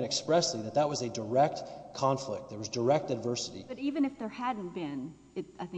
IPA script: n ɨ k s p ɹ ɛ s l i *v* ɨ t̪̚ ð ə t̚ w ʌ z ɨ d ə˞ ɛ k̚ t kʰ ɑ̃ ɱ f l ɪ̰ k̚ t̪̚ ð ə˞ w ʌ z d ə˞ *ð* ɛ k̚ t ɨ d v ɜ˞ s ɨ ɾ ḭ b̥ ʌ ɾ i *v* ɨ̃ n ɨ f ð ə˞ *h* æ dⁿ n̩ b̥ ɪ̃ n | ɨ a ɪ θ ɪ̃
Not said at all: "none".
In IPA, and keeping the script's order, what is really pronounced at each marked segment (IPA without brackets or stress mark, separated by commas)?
ð, none, v, h